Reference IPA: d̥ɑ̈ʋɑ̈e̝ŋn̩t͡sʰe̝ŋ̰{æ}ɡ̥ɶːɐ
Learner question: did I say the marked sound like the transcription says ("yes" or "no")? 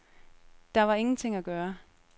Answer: yes